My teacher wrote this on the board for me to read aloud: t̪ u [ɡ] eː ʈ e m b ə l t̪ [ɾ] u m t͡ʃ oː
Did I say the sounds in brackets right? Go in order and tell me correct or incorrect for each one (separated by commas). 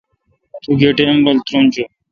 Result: correct, correct